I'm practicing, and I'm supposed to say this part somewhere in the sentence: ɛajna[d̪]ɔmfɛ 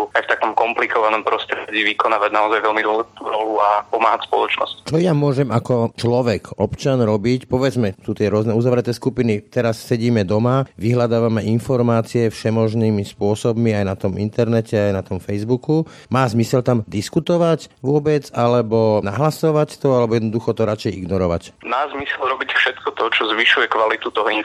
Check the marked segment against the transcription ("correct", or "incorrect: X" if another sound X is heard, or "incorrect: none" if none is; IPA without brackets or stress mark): incorrect: t̪